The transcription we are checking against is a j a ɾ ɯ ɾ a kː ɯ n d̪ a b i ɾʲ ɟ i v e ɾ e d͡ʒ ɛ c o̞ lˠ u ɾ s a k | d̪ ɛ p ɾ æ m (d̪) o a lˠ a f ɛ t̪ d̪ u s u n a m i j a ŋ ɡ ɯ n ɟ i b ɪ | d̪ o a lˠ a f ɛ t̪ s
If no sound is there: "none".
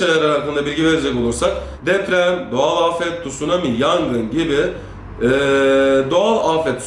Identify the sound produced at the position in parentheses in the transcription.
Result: d̪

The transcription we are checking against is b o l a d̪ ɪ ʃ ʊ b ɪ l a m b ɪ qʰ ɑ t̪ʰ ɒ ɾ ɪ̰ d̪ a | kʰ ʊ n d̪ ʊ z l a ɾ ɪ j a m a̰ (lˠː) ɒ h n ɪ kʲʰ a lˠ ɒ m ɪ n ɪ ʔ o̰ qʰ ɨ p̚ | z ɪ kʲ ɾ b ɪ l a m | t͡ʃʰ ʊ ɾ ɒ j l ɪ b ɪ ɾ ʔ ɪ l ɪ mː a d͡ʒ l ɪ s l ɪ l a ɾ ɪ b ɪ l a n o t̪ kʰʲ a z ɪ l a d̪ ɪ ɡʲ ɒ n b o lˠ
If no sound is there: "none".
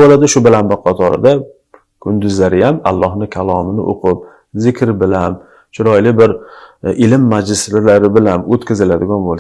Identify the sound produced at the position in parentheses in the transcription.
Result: lˠː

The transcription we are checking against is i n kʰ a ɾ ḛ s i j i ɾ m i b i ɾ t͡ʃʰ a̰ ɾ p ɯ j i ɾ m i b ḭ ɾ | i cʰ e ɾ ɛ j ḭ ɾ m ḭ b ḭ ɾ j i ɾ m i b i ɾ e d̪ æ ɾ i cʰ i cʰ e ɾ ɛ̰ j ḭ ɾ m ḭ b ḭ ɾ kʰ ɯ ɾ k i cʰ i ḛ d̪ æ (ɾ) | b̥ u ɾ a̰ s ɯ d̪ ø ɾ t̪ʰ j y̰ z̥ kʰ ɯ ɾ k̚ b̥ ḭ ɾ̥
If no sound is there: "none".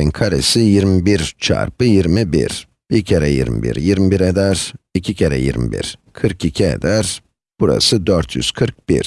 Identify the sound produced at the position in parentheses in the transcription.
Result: ɾ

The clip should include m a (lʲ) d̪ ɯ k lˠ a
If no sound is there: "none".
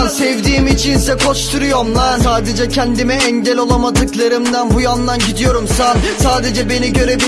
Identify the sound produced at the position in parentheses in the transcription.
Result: none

